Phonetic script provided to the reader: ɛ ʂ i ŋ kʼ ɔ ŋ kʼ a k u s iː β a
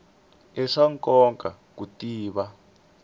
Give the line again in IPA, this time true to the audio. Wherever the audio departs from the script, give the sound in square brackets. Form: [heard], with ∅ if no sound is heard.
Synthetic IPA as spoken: ɛ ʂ [a] ŋ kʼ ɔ ŋ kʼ a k u [t] iː β a